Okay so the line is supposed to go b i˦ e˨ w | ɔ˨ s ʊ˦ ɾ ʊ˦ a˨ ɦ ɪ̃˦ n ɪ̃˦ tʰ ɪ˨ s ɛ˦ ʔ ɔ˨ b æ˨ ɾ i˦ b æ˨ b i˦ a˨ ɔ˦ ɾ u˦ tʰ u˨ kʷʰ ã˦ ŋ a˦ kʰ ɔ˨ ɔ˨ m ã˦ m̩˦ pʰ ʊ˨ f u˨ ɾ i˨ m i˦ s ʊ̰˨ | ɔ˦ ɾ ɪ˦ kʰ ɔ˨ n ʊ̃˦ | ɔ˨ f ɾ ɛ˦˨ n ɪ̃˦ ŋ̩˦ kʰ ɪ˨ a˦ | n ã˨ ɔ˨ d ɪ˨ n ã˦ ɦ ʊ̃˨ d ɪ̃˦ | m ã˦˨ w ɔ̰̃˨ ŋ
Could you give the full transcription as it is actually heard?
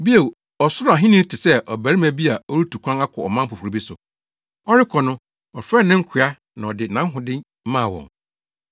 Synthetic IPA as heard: b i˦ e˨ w | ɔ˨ s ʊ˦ ɾ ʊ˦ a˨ ɦ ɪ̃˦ n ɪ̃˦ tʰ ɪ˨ s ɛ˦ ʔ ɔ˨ b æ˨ ɾ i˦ m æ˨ b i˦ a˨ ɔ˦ ɾ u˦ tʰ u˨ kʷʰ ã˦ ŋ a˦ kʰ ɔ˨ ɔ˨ m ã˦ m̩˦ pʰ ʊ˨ f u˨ ɾ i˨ b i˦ s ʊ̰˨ | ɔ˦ ɾ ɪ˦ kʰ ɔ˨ n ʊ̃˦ | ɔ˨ f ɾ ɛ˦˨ n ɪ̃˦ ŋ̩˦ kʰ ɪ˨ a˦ | n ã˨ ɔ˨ d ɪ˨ n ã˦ ɦ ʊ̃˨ d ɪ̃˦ | m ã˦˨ w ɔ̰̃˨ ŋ